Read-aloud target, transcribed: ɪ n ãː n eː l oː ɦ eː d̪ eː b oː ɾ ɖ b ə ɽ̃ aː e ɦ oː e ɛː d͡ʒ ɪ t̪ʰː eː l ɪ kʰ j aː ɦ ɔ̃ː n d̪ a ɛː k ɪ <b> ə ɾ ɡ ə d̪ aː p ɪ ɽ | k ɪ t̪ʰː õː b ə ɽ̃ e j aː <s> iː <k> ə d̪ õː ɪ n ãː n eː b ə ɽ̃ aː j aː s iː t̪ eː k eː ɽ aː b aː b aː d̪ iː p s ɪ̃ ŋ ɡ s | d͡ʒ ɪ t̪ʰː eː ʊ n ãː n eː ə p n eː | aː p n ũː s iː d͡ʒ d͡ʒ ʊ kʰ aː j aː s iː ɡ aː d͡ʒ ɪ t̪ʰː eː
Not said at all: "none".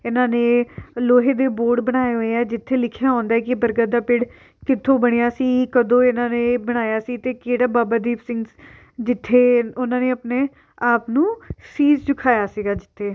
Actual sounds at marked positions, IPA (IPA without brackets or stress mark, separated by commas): b, s, k